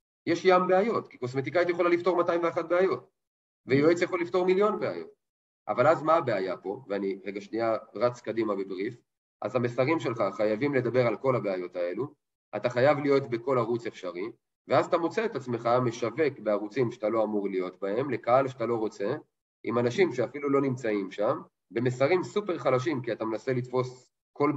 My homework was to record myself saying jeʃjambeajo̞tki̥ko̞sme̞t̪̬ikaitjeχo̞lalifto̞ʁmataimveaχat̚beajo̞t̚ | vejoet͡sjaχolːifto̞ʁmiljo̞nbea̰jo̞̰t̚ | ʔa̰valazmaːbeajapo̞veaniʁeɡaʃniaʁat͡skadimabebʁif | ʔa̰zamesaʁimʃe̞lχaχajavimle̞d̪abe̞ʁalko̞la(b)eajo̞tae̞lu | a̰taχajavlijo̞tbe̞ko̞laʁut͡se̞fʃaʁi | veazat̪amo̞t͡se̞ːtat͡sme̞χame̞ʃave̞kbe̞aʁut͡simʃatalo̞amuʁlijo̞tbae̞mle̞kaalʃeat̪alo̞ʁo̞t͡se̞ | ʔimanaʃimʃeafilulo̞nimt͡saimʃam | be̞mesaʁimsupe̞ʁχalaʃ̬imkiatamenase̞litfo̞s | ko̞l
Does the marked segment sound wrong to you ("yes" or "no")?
no